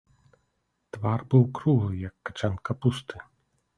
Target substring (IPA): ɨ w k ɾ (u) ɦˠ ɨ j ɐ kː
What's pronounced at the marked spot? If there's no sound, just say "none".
u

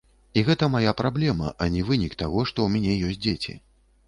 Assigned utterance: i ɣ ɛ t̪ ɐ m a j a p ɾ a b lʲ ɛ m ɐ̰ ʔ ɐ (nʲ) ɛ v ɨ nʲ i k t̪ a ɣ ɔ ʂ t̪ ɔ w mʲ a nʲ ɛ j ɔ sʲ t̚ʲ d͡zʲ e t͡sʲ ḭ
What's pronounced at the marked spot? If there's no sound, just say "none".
nʲ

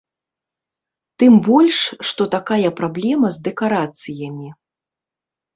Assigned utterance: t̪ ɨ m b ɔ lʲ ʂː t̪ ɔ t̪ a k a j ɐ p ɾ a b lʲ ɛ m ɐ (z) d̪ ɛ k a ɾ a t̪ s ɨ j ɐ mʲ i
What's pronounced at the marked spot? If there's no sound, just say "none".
z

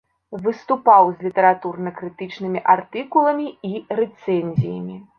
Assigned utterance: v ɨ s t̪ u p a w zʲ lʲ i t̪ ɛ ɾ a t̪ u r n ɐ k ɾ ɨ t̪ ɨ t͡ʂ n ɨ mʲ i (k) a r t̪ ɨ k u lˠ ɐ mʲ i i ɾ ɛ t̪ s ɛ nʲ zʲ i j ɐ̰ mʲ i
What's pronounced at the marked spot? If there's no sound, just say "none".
ʔ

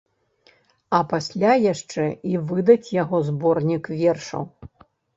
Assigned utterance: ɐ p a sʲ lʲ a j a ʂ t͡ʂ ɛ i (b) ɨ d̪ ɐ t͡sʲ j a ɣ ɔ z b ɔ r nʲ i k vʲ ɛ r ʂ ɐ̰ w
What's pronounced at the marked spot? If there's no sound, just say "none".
v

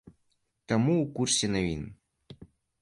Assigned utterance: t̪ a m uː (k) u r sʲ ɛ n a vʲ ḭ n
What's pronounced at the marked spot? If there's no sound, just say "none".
k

